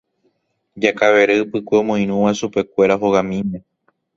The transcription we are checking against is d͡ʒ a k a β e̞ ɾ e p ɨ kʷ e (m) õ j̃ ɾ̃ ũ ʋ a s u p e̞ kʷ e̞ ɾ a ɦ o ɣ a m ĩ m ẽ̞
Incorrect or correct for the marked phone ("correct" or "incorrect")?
correct